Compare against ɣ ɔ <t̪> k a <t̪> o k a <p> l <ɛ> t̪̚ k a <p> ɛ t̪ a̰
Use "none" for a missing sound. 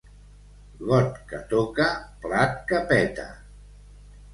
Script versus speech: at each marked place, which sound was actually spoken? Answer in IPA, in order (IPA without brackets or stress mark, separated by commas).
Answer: t̪, t̪, p, a, p